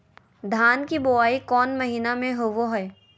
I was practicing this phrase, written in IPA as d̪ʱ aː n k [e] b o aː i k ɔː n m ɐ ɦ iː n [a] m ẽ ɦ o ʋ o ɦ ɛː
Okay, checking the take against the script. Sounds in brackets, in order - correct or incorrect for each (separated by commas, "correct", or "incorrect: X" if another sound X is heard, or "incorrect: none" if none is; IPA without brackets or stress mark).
incorrect: i, correct